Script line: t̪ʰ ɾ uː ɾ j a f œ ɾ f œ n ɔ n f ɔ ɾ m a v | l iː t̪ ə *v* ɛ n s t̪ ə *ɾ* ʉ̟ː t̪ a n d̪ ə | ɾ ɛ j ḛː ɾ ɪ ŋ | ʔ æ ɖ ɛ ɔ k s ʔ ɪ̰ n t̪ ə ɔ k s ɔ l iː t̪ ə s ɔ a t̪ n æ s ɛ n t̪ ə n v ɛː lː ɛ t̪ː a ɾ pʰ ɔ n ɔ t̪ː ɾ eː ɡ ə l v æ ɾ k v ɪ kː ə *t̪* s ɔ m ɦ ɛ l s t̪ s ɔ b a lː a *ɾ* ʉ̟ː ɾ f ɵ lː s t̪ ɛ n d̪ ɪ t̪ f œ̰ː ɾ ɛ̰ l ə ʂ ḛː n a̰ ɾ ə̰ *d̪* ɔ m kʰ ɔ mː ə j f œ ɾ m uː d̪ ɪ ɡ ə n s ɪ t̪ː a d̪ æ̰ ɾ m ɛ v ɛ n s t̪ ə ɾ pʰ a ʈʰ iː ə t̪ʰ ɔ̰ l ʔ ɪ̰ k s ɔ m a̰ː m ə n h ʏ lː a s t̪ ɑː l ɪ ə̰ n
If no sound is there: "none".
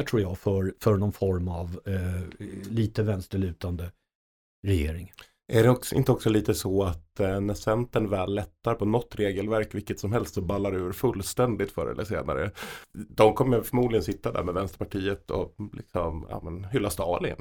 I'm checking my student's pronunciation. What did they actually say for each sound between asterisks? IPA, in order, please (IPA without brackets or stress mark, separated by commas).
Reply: v, ɭ, t̪, ɾ, d̪